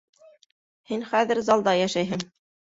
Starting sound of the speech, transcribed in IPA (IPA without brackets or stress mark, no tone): h